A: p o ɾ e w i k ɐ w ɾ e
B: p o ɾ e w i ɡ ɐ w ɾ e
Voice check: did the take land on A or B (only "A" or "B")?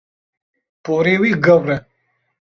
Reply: B